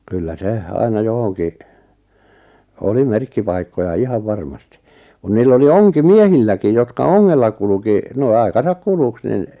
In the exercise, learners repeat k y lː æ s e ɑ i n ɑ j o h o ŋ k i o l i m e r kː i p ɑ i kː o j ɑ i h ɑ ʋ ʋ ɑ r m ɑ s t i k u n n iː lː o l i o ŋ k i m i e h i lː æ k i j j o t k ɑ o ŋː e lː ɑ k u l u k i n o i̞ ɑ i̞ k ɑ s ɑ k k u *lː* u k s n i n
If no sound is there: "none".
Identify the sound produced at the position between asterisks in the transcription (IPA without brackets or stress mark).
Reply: l